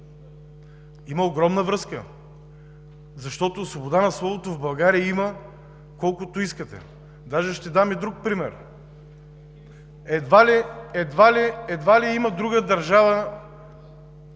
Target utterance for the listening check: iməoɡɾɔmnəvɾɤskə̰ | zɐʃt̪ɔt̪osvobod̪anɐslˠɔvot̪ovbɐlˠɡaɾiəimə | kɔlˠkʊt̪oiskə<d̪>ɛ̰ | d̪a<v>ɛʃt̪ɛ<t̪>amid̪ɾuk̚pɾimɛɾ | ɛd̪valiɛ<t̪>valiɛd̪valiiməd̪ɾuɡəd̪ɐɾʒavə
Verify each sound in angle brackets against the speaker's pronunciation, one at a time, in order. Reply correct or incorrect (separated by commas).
incorrect, incorrect, incorrect, incorrect